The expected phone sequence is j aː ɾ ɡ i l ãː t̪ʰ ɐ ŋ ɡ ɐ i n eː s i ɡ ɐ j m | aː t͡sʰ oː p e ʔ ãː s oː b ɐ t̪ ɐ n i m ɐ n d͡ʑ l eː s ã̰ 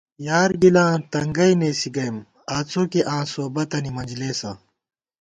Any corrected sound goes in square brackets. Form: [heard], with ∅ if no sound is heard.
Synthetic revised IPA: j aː ɾ ɡ i l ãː [t̪] ɐ ŋ ɡ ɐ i n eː s i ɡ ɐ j m | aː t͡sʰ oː [k] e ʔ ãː s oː b ɐ t̪ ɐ n i m ɐ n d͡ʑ l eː s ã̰

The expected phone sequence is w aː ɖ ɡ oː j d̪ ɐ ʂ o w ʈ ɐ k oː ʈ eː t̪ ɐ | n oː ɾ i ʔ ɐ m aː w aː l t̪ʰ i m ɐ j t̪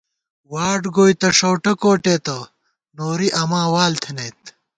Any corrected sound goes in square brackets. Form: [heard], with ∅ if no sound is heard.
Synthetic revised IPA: w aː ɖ ɡ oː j [t̪] ɐ ʂ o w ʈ ɐ k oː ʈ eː t̪ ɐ | n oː ɾ i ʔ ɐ m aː w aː l t̪ʰ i [n] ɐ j t̪

